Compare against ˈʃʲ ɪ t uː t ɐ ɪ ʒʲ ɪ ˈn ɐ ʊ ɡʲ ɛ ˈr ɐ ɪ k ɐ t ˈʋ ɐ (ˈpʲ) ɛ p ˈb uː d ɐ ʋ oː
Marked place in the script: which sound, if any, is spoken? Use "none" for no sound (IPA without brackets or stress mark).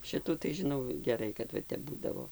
tʲ